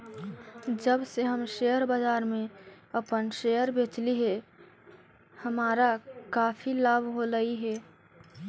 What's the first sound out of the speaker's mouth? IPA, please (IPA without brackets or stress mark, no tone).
d͡ʒ